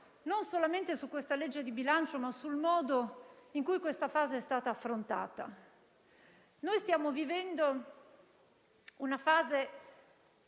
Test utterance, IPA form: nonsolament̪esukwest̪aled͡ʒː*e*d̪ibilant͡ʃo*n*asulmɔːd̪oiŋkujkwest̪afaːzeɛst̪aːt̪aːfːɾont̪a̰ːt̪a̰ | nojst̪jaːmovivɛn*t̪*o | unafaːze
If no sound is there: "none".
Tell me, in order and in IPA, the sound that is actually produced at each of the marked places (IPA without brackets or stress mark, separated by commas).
e, m, d̪